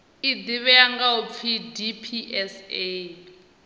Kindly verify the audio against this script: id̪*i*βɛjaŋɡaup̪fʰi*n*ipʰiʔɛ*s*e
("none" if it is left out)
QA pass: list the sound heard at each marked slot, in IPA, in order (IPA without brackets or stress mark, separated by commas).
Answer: i, d, s